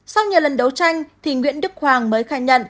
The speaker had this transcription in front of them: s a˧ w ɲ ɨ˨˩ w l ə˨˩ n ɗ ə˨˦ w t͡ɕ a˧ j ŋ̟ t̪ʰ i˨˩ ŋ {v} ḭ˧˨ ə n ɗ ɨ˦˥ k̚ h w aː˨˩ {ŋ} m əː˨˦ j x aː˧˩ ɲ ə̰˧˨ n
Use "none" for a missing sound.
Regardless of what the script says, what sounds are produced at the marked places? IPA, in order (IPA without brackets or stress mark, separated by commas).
w, ŋ